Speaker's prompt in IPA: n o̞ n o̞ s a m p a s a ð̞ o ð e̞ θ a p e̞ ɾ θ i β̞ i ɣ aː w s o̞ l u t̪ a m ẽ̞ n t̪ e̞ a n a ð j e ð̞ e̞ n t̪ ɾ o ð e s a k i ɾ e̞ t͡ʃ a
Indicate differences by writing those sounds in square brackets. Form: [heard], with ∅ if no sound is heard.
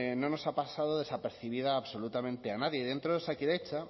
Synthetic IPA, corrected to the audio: n o̞ n o̞ s a [∅] p a s a ð̞ o ð e̞ [s] a p e̞ ɾ θ i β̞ i [ð] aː [β] s o̞ l u t̪ a m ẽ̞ n t̪ e̞ a n a ð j e ð̞ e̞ n t̪ ɾ o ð e s a k i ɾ e̞ t͡ʃ a